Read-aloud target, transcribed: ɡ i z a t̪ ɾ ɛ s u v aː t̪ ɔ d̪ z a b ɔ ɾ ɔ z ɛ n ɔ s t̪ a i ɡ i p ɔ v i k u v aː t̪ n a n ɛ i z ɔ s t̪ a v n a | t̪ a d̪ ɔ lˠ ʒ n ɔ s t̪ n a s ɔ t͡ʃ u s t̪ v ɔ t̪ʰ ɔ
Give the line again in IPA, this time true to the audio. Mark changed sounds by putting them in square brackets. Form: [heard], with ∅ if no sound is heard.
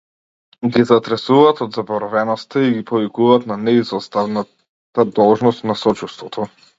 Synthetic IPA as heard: ɡ i z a t̪ ɾ ɛ s u v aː t̪ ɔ d̪ z a b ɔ ɾ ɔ [v] ɛ n ɔ s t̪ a i ɡ i p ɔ v i k u v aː t̪ n a n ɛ i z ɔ s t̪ a v n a | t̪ a d̪ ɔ lˠ ʒ n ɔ s t̪ n a s ɔ t͡ʃ u s t̪ v ɔ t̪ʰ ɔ

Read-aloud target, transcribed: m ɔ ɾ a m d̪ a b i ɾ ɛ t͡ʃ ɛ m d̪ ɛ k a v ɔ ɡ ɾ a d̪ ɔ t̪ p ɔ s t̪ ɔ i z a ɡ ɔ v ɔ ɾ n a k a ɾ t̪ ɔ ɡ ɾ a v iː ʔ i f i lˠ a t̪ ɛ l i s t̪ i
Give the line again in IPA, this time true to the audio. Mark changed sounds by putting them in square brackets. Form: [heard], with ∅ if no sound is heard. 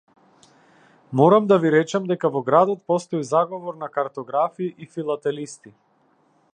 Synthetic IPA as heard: m ɔ ɾ a m d̪ a [v] i ɾ ɛ t͡ʃ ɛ m d̪ ɛ k a v ɔ ɡ ɾ a d̪ ɔ t̪ p ɔ s t̪ ɔ i z a ɡ ɔ v ɔ ɾ n a k a ɾ t̪ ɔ ɡ ɾ a [f] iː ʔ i f i lˠ a t̪ ɛ l i s t̪ i

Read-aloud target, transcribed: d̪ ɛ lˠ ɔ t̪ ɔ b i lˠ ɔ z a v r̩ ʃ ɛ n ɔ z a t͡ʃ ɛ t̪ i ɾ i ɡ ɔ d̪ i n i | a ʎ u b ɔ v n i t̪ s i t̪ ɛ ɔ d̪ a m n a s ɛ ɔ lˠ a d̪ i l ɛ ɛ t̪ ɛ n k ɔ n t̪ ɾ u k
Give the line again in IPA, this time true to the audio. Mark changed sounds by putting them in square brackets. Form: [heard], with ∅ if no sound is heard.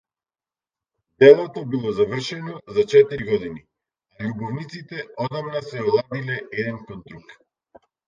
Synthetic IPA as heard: d̪ ɛ lˠ ɔ t̪ ɔ b i lˠ ɔ z a v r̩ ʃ ɛ n ɔ z a t͡ʃ ɛ t̪ i ɾ i ɡ ɔ d̪ i n i | a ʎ u b ɔ v n i t̪ s i t̪ ɛ ɔ d̪ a m n a s ɛ ɔ lˠ a d̪ i l ɛ ɛ [d̪] ɛ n k ɔ n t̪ ɾ u k

